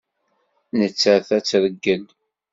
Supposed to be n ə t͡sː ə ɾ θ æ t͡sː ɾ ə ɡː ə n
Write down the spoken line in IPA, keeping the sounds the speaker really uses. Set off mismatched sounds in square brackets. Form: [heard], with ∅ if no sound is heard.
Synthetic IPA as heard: n ə t͡sː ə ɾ θ æ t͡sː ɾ ə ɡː ə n